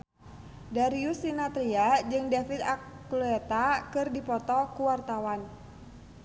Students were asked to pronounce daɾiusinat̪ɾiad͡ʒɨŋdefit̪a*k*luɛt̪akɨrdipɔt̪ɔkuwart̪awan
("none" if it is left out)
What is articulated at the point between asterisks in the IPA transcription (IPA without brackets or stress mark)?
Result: k